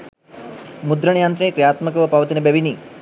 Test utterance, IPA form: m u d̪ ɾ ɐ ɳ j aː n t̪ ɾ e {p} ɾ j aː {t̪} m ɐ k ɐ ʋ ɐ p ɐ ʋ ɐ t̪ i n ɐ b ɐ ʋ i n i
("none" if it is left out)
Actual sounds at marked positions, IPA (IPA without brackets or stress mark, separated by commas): k, t̪